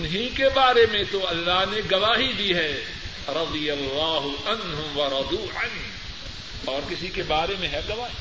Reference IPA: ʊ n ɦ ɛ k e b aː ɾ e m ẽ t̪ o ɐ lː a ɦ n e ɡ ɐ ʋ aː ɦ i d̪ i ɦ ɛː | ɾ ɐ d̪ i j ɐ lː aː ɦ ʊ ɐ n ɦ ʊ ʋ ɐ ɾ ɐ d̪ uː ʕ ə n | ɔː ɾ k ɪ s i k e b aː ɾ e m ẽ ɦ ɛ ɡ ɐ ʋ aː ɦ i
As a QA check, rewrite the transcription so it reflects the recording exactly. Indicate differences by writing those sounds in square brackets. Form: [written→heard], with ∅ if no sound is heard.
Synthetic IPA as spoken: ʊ n ɦ [ɛ→i] k e b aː ɾ e m ẽ t̪ o ɐ lː a ɦ n e ɡ ɐ ʋ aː ɦ i d̪ i ɦ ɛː | ɾ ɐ d̪ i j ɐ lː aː ɦ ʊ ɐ n ɦ ʊ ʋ ɐ ɾ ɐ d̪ uː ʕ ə n | ɔː ɾ k ɪ s i k e b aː ɾ e m ẽ ɦ ɛ ɡ ɐ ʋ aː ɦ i